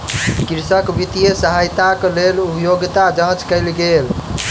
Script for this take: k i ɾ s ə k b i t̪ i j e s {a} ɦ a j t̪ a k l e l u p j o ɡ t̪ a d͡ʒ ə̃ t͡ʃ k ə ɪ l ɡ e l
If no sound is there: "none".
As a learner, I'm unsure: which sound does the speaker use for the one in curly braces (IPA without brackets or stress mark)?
ə